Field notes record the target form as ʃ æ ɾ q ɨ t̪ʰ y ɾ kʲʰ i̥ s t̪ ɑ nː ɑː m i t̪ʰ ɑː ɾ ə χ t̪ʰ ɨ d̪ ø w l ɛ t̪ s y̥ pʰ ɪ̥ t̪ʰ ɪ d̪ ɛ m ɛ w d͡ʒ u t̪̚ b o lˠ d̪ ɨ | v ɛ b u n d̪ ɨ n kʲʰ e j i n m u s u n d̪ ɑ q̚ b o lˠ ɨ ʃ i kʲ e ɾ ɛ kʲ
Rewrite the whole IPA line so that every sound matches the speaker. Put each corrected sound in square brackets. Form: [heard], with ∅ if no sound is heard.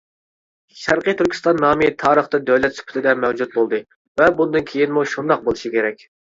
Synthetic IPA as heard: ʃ æ ɾ q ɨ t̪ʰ y ɾ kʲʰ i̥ s t̪ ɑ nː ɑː m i t̪ʰ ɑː ɾ ə χ [t̪] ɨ d̪ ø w l ɛ t̪ s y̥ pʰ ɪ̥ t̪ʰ ɪ d̪ ɛ m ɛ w d͡ʒ u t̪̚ b o lˠ d̪ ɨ | v ɛ b u n d̪ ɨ n kʲʰ e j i n m u [ʃ] u n d̪ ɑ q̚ b o lˠ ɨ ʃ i kʲ e ɾ ɛ kʲ